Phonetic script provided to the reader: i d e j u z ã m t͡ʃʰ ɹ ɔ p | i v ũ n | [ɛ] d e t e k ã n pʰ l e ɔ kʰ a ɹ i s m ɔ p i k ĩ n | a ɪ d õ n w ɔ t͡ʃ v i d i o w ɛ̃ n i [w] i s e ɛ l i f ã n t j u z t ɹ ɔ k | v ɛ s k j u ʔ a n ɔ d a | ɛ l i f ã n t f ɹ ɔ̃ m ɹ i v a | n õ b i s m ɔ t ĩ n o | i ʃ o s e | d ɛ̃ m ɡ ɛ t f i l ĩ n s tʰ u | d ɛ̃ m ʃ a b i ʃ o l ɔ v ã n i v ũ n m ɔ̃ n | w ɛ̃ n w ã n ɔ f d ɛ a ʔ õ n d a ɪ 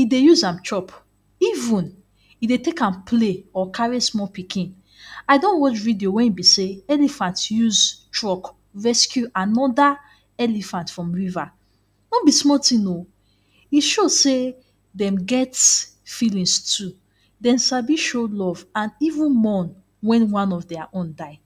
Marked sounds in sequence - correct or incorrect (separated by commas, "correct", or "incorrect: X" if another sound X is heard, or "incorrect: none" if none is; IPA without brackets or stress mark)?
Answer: incorrect: i, incorrect: b